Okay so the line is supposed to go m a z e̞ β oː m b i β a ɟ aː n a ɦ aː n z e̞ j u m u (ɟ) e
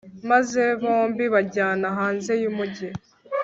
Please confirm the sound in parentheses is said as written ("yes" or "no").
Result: yes